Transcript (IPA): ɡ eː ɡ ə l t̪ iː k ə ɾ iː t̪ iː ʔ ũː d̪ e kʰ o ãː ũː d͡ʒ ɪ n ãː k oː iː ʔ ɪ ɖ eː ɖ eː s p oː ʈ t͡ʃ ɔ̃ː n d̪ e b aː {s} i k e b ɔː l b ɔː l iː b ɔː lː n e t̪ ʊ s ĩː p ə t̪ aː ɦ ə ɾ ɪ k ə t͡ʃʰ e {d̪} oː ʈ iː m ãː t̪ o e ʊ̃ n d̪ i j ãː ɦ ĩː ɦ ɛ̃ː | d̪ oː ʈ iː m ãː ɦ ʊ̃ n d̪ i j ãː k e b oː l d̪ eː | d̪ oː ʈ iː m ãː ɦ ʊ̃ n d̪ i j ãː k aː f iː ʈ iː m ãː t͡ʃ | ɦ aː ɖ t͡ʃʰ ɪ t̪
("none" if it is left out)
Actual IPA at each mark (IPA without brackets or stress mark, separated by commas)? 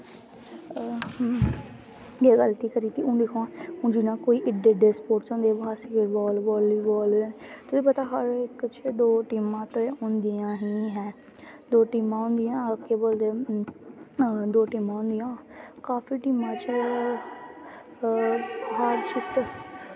s, d̪